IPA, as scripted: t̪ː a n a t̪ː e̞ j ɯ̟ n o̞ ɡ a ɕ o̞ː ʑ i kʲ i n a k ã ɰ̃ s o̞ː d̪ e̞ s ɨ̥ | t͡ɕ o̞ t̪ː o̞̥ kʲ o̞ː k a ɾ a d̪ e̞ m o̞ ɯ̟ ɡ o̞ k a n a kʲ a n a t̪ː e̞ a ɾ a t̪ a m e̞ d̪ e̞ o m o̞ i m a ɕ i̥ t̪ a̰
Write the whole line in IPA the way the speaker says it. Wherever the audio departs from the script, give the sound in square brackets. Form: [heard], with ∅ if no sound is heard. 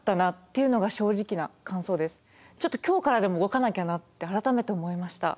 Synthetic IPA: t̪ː a n a t̪ː e̞ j ɯ̟ n o̞ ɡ a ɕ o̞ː ʑ i kʲ i n a k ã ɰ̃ s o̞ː d̪ e̞ s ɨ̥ | t͡ɕ o̞ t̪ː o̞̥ kʲ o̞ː k a ɾ a d̪ e̞ m o̞ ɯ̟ ɡ o̞ k a n a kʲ a n a t̪ː e̞ a ɾ a t̪ a m e̞ [t̪] e̞ o m o̞ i m a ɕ i̥ t̪ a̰